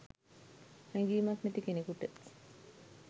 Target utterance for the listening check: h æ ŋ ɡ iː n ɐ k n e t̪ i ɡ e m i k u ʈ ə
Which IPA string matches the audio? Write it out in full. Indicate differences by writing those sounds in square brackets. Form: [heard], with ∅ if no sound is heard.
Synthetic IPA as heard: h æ ŋ ɡ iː [m] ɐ k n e t̪ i [k] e [n] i k u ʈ ə